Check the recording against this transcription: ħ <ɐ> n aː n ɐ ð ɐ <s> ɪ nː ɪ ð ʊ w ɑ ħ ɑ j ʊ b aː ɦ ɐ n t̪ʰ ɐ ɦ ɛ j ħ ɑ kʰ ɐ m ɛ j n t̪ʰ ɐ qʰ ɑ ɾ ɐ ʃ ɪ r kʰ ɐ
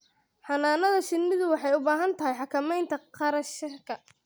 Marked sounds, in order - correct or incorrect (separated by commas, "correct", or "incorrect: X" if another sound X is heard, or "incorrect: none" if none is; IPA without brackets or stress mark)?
incorrect: ɑ, incorrect: ʃ